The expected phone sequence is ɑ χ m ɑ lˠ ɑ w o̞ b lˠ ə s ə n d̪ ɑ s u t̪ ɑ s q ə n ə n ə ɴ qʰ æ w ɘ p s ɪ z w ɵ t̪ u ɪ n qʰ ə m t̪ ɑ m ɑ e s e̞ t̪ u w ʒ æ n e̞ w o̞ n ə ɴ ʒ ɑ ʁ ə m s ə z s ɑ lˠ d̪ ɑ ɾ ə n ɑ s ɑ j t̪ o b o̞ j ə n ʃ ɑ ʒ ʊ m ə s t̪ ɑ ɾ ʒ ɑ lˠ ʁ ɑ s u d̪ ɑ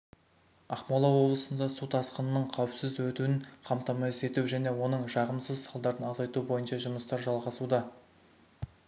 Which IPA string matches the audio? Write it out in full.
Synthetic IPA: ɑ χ m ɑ lˠ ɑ w o̞ b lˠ ə s ə n d̪ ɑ s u t̪ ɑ s q ə n ə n ə ɴ qʰ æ w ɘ p s ɪ z w ɵ t̪ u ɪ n qʰ ɑ m t̪ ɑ m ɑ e s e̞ t̪ u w ʒ æ n e̞ w o̞ n ə ɴ ʒ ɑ ʁ ə m s ə z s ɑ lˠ d̪ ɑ ɾ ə n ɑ z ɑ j t̪ u b o̞ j ə n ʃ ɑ ʒ ʊ m ə s t̪ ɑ ɾ ʒ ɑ lˠ ʁ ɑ s u d̪ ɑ